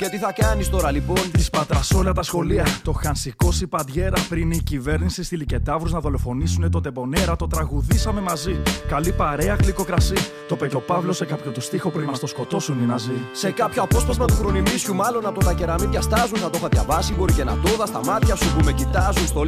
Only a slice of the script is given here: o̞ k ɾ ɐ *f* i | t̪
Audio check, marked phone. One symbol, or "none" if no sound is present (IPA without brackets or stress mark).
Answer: s